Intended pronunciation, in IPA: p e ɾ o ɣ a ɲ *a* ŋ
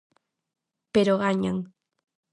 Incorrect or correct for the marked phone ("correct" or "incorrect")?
correct